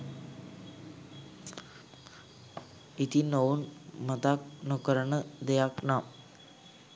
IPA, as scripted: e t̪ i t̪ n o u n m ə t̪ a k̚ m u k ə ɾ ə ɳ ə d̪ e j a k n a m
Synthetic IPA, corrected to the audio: i t̪ i n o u n m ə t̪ a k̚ n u k ə ɾ ə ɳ ə d̪ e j a k n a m